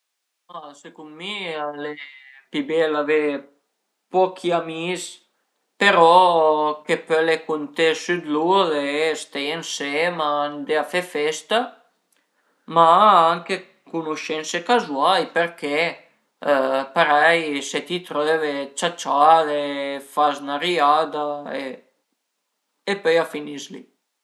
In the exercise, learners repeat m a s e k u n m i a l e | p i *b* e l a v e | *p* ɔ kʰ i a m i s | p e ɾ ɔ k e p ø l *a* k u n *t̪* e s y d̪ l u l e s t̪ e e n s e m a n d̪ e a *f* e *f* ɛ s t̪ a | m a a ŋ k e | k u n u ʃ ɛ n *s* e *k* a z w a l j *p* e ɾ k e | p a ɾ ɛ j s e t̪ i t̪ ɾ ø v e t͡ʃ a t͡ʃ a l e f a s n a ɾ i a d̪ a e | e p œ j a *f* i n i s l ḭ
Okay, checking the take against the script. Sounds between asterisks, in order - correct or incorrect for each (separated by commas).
correct, correct, incorrect, correct, correct, correct, correct, correct, correct, correct